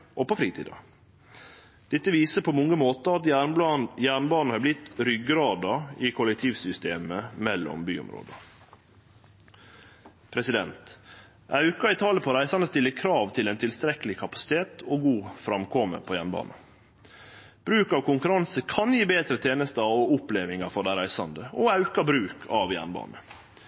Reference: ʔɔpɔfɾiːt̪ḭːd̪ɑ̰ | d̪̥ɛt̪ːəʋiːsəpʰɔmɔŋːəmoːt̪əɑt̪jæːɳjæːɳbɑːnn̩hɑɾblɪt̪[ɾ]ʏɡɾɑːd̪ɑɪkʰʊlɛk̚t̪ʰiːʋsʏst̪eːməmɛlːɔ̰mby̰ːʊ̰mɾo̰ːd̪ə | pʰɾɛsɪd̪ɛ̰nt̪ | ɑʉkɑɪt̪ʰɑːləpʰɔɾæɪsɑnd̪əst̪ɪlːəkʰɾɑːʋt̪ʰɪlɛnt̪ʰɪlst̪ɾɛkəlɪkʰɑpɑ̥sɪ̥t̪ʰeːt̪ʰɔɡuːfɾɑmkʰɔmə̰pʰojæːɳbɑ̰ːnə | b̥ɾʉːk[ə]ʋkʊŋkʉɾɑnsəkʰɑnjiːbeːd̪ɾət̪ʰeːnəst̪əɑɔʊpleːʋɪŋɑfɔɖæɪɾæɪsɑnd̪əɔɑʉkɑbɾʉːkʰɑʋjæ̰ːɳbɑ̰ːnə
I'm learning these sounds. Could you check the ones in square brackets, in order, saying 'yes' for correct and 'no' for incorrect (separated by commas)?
yes, no